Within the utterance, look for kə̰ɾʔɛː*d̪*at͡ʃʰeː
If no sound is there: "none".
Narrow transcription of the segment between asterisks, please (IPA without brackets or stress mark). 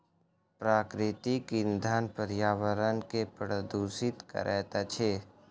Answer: t̪